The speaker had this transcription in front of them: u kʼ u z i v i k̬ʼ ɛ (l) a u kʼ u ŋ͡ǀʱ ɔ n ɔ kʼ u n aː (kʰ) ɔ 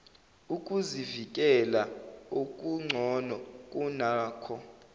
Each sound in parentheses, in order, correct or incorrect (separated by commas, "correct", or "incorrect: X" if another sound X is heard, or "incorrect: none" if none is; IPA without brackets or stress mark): correct, correct